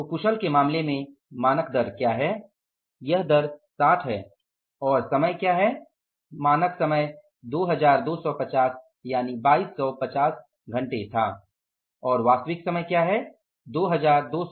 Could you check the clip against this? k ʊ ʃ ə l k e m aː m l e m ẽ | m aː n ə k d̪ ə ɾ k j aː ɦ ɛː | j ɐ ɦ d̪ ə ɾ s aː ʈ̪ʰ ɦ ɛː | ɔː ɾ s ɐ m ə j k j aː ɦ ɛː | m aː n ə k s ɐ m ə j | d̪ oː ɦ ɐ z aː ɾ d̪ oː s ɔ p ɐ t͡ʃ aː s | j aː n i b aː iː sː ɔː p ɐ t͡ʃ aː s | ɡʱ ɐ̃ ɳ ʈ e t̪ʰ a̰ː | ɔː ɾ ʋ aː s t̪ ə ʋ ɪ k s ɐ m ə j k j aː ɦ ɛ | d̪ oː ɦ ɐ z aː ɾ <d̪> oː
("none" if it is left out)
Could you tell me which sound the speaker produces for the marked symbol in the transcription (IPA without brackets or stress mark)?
d̪